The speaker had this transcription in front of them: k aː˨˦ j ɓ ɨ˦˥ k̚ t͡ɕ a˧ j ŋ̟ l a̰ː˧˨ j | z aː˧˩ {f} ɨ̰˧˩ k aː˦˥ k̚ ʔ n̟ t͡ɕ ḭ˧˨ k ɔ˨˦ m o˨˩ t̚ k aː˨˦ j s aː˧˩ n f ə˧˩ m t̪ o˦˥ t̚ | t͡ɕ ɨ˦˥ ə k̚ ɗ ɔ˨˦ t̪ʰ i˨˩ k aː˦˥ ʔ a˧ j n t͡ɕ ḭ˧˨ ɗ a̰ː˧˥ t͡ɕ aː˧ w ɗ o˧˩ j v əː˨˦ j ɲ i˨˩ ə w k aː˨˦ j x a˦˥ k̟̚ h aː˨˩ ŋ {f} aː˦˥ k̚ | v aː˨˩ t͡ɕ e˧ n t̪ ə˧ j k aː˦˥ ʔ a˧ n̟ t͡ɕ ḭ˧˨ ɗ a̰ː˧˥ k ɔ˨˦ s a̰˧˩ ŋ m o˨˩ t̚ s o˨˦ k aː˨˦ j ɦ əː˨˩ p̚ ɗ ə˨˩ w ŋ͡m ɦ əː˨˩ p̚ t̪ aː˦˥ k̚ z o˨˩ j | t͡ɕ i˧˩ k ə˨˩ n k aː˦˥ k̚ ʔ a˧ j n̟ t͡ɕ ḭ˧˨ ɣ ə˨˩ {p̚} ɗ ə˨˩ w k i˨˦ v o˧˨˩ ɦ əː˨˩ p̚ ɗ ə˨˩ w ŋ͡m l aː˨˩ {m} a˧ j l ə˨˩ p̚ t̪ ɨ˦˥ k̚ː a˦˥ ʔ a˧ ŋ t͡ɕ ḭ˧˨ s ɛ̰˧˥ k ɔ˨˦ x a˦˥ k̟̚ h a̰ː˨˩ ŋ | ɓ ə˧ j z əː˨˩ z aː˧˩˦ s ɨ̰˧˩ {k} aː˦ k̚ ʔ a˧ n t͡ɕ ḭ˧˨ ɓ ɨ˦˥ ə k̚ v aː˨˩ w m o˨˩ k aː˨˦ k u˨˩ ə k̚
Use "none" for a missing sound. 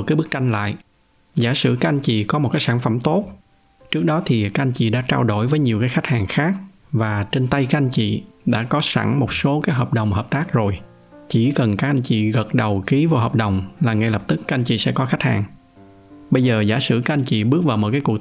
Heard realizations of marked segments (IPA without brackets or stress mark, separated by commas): s, x, t̚, ŋ, k